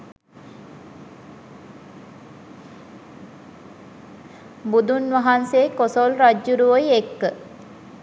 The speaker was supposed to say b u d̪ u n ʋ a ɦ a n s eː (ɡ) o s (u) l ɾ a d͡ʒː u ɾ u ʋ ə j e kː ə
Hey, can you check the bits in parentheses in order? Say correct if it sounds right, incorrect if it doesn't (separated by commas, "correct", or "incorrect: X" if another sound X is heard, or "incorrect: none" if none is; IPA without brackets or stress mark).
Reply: incorrect: k, incorrect: o